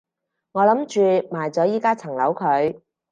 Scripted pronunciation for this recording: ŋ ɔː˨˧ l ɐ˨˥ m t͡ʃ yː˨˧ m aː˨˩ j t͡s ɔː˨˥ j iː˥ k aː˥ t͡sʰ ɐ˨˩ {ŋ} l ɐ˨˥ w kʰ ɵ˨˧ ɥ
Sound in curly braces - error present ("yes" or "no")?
no